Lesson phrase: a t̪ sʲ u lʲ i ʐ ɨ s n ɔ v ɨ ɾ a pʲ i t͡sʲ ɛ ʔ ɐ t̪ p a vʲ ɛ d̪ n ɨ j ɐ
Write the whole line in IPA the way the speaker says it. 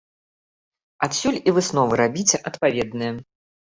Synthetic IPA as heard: a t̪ sʲ u lʲ i v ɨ s n ɔ v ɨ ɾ a bʲ i t͡sʲ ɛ ʔ ɐ t̪ p a vʲ ɛ d̪ n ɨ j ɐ